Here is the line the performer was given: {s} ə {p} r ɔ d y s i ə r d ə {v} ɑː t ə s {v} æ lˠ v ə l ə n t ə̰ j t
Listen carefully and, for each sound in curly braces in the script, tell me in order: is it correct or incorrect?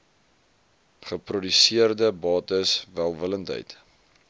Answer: incorrect, correct, incorrect, correct

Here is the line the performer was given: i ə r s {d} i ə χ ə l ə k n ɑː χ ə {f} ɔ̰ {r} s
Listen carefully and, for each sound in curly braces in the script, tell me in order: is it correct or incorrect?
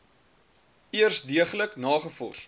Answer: correct, correct, correct

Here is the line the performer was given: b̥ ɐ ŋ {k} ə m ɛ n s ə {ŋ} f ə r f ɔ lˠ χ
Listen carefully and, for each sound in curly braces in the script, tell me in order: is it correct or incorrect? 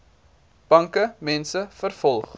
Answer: correct, incorrect

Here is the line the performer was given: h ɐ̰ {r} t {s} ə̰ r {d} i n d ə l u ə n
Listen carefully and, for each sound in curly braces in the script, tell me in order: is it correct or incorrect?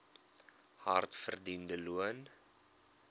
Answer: correct, incorrect, correct

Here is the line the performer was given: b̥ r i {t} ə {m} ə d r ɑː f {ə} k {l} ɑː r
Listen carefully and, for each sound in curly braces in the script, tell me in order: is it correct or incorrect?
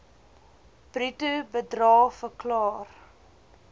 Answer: correct, incorrect, correct, correct

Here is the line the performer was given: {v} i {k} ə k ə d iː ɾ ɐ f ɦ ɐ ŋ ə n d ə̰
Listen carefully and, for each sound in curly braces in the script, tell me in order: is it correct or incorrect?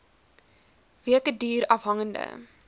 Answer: correct, incorrect

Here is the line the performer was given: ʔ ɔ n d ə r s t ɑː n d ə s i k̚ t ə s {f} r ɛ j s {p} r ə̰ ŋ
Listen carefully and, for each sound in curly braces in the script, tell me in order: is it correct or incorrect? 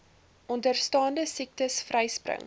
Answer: correct, correct

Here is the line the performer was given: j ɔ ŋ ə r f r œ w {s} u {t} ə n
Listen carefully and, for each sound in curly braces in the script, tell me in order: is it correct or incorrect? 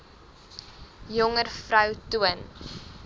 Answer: incorrect, incorrect

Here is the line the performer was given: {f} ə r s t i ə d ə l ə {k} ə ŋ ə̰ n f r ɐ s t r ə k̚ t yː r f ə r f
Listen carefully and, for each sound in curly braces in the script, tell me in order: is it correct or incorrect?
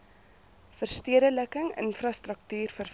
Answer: correct, correct

